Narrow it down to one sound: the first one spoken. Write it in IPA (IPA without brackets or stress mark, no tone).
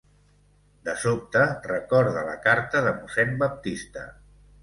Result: d̪